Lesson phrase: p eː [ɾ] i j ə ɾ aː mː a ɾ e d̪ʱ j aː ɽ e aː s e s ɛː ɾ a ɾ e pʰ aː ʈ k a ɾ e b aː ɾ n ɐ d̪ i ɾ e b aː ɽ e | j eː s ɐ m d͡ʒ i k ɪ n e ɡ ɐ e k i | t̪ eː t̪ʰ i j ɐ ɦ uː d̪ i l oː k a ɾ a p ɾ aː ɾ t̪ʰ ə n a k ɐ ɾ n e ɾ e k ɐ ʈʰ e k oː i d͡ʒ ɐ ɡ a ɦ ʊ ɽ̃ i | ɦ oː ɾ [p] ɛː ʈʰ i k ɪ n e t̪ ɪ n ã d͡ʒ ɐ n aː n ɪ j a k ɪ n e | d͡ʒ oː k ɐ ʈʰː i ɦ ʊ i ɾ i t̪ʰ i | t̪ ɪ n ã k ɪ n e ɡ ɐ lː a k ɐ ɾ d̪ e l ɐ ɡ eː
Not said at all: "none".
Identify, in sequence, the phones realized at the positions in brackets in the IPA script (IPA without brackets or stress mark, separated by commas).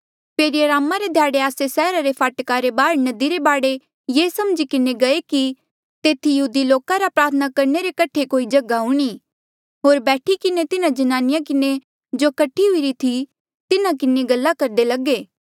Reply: ɾ, b